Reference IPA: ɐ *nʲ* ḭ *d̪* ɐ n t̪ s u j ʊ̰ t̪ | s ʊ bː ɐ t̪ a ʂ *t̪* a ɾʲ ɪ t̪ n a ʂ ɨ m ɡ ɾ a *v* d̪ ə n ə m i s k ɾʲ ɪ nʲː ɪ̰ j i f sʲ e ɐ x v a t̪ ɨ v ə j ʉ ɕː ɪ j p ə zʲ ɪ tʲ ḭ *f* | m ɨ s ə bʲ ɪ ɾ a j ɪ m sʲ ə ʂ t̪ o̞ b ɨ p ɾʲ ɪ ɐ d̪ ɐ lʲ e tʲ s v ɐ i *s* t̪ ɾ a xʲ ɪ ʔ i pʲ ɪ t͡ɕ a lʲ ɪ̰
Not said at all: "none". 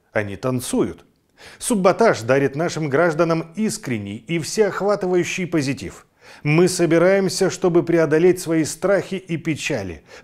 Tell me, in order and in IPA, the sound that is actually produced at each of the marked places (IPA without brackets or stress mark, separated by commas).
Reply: nʲ, t̪, d̪, ʐ, f, s